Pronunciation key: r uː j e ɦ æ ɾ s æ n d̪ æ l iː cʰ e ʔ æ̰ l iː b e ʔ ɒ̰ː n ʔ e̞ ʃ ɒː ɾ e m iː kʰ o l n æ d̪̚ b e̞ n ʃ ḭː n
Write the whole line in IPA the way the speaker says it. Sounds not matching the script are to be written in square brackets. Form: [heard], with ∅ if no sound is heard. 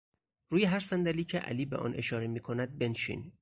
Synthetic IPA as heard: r uː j e ɦ æ ɾ s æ n d̪ æ l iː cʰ e ʔ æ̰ l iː b e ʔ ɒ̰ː n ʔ e̞ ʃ ɒː ɾ e m iː kʰ o [∅] n æ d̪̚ b e̞ n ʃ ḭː n